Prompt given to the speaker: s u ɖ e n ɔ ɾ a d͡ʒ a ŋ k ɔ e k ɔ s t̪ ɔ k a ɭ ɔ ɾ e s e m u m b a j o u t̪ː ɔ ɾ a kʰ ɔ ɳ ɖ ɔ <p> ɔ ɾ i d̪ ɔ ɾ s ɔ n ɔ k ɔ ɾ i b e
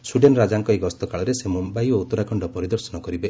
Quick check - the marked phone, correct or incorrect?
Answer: correct